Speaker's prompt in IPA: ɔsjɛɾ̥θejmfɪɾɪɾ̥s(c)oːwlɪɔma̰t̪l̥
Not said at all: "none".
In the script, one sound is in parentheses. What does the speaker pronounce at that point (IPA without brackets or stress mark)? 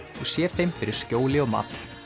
c